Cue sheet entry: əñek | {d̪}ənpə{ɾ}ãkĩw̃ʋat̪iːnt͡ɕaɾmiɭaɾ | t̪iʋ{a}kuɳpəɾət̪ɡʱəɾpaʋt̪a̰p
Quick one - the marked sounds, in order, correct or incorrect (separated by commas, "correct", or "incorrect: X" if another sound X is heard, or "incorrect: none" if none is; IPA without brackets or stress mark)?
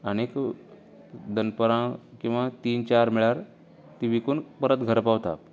correct, correct, incorrect: i